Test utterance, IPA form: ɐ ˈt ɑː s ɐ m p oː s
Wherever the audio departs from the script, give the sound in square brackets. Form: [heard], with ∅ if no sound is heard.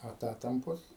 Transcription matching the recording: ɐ ˈt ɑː [t] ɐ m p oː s